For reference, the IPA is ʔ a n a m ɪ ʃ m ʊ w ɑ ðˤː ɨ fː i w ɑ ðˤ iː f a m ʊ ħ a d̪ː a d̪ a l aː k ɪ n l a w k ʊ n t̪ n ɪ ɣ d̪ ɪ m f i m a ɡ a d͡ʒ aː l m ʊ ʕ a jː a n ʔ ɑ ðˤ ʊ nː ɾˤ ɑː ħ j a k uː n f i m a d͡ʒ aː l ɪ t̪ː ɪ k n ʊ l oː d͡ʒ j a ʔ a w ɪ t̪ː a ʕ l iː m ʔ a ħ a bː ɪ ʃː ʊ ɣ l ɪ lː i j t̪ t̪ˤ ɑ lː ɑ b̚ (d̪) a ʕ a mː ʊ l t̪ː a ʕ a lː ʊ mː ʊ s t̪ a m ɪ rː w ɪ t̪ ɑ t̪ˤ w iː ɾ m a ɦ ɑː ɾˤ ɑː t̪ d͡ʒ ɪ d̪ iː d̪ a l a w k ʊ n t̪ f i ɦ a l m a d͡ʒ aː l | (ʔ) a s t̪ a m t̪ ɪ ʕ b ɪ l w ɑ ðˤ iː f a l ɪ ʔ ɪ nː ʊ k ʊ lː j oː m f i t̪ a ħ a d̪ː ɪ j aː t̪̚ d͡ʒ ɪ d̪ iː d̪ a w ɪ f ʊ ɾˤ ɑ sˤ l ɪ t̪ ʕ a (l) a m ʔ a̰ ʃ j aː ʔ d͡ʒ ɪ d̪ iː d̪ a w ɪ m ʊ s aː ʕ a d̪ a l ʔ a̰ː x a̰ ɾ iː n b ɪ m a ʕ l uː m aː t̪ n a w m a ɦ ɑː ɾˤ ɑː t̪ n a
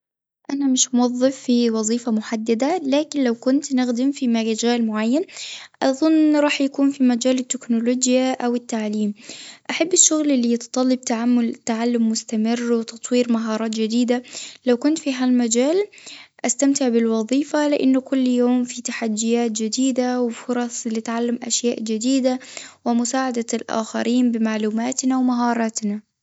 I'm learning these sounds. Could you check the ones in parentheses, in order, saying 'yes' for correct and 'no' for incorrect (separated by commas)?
no, yes, no